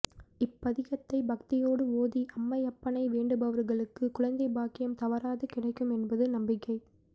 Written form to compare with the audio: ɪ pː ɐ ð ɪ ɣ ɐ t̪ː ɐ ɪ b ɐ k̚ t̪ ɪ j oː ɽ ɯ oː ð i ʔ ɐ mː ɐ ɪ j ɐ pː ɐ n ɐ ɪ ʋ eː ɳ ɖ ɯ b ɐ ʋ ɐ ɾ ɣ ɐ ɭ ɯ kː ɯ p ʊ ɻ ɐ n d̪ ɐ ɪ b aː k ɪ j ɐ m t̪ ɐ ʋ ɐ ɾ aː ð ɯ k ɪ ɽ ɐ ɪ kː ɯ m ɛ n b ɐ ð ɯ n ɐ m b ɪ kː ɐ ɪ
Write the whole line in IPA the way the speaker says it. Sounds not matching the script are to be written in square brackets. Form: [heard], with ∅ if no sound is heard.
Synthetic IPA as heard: ɪ pː ɐ ð ɪ ɣ ɐ t̪ː ɐ ɪ b ɐ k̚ t̪ ɪ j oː ɽ ɯ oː ð i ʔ ɐ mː ɐ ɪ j ɐ pː ɐ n ɐ ɪ ʋ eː ɳ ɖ ɯ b ɐ ʋ ɐ ɾ ɣ ɐ ɭ ɯ kː ɯ [k] ʊ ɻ ɐ n d̪ ɐ ɪ b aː k ɪ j ɐ m t̪ ɐ ʋ ɐ ɾ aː ð ɯ k ɪ ɽ ɐ ɪ kː ɯ m ɛ n b ɐ ð ɯ n ɐ m b ɪ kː ɐ ɪ